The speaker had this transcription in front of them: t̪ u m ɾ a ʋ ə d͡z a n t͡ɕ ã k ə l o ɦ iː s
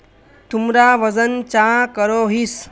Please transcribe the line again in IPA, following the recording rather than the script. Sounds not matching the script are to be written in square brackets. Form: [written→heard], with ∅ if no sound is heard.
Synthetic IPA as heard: t̪ u m ɾ a ʋ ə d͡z [a→ə] n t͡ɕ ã k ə [l→ɾ] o ɦ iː s